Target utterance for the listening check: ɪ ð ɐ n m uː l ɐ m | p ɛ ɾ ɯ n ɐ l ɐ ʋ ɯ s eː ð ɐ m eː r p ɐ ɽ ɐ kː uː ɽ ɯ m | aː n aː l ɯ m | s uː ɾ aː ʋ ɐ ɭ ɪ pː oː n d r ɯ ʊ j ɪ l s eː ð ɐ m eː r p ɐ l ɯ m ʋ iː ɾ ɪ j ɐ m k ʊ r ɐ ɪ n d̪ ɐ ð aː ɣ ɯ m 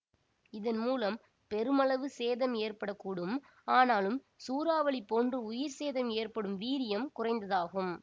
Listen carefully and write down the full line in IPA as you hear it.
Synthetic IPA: ɪ ð ɐ n m uː l ɐ m | p ɛ ɾ ɯ m ɐ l ɐ ʋ ɯ s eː ð ɐ m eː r p ɐ ɽ ɐ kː uː ɽ ɯ m | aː n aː l ɯ m | s uː ɾ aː ʋ ɐ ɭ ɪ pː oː n d r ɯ ʊ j ɪ ɾ s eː ð ɐ m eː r p ɐ ɽ ɯ m ʋ iː ɾ ɪ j ɐ m k ʊ r ɐ ɪ n d̪ ɐ ð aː ɣ ɯ m